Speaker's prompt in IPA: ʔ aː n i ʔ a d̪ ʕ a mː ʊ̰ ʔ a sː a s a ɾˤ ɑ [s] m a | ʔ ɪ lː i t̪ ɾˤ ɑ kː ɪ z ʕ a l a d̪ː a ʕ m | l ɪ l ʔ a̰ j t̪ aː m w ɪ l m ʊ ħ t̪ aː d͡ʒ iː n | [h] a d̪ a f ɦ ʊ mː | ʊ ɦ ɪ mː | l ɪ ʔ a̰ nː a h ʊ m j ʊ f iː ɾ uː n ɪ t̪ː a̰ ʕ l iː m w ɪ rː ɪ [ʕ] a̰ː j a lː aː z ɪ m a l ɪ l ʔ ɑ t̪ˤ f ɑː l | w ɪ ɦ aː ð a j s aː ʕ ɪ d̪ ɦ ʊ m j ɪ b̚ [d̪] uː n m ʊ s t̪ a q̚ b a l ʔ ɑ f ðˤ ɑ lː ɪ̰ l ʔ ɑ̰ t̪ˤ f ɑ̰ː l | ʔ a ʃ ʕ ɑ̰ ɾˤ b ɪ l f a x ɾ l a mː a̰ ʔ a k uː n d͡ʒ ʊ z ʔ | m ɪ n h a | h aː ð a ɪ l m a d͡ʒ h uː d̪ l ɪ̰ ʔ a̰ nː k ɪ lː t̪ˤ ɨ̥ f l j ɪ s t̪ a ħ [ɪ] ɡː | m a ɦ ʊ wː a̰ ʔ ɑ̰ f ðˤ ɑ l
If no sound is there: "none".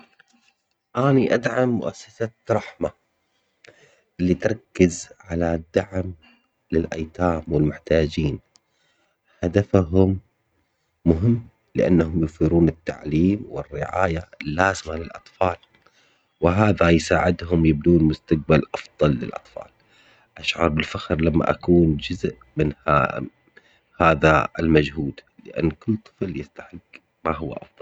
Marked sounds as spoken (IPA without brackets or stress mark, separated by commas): ħ, h, ʕ, d̪, ɪ